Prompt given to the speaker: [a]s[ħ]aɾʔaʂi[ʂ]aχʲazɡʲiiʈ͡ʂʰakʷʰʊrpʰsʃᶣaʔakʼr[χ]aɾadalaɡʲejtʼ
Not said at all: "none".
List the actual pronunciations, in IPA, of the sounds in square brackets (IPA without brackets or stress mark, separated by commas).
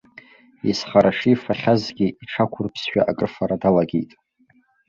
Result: i, χ, f, f